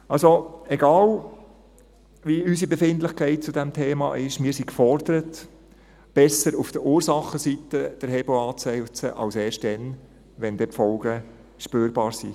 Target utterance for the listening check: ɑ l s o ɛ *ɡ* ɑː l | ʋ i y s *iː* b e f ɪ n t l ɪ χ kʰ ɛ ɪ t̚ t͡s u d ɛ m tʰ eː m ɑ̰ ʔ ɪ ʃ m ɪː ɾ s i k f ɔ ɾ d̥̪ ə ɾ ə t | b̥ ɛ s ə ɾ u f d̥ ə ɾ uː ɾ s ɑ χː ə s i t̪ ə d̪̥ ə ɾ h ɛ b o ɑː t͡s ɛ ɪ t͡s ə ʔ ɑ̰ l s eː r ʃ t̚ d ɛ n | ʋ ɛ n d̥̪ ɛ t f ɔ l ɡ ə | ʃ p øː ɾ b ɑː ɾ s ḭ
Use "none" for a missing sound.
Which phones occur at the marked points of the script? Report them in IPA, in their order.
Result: ɡ, i

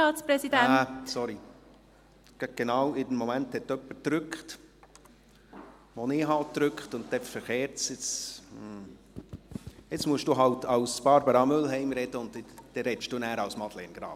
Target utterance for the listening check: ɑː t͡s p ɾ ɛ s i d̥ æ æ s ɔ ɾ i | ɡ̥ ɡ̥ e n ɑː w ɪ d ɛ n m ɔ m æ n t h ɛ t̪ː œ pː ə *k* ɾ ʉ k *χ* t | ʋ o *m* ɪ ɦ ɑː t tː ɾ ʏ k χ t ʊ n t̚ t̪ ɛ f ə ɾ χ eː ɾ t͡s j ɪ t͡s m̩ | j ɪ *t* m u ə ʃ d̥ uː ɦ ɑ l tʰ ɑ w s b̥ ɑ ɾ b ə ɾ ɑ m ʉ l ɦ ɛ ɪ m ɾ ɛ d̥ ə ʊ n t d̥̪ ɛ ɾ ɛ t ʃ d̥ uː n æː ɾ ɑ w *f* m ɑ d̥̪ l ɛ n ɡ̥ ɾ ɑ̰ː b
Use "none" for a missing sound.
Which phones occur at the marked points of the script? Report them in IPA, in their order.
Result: t, χ, n, t͡s, s

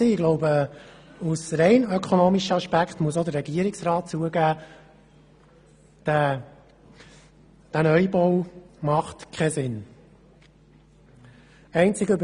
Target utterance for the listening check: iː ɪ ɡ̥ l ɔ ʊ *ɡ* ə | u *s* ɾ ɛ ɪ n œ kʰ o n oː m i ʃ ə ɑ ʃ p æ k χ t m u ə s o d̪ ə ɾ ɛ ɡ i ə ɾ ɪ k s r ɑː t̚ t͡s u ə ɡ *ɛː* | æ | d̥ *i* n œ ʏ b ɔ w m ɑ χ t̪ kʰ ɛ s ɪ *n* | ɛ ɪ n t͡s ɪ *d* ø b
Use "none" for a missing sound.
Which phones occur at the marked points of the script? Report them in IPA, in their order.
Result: b, s, æː, æ, n, ɡ

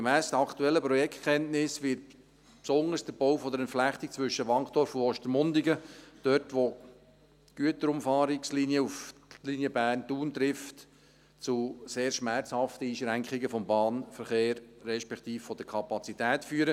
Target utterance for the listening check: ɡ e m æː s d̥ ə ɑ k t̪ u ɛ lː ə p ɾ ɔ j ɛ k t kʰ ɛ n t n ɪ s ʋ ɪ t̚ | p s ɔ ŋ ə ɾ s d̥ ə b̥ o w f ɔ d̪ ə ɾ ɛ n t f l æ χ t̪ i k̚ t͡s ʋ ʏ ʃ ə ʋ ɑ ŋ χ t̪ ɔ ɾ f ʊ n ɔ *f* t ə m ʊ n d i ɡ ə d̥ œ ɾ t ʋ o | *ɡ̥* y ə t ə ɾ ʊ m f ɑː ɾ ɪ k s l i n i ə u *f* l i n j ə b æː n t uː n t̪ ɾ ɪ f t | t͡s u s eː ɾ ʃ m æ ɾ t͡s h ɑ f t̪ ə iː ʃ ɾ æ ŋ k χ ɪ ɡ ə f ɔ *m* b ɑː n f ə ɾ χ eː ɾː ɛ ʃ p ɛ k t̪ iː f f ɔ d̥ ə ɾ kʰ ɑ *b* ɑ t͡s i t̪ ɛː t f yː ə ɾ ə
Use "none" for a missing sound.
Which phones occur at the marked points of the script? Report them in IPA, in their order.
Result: ʃ, ɡ̥, f, m, p

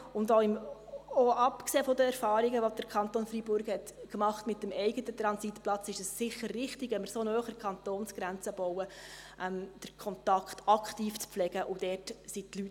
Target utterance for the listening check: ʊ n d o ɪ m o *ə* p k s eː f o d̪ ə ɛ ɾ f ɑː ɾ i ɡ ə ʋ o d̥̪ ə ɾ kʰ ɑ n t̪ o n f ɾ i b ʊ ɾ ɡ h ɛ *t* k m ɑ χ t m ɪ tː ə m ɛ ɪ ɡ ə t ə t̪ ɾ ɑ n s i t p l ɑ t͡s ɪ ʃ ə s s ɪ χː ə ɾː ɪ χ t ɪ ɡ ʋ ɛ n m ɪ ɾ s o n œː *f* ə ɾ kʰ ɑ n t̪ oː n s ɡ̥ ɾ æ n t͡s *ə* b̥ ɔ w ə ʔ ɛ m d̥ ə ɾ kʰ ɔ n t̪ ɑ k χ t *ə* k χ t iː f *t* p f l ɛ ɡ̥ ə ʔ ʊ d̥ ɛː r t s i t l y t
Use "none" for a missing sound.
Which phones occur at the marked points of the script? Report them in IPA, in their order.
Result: ɑ, t, χ, ə, ɑ, t͡s

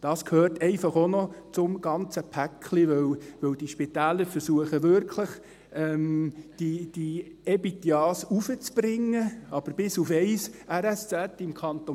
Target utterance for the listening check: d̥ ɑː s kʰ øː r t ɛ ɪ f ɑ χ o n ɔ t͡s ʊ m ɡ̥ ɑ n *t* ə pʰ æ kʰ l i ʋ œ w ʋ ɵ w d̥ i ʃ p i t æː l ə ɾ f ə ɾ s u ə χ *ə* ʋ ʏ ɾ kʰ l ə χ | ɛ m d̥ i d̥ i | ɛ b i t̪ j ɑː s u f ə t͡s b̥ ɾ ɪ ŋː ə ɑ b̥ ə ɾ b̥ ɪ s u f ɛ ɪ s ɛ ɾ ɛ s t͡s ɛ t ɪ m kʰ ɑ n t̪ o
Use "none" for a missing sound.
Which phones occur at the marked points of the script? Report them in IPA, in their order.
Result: t͡s, ə

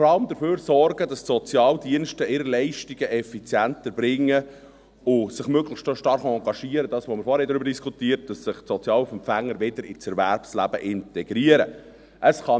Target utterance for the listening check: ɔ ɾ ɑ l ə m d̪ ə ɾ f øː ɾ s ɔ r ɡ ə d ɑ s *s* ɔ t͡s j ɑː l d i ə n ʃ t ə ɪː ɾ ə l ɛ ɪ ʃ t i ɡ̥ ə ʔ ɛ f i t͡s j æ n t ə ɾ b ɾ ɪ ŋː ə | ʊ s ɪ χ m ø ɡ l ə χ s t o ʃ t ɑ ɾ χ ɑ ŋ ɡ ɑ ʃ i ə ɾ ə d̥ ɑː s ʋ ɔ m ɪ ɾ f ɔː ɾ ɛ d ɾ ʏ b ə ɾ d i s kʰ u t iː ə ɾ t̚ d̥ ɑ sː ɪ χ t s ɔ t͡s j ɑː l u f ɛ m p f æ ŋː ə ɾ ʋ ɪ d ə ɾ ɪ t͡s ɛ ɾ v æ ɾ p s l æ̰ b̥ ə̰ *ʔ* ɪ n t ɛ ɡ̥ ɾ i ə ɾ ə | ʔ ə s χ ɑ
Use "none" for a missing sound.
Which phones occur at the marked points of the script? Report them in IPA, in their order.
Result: s, ʔ

